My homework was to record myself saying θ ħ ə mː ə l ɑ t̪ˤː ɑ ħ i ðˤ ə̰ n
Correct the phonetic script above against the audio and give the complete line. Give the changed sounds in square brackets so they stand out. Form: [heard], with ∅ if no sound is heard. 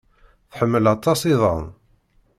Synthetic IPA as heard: θ ħ ə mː ə l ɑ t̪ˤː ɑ [s] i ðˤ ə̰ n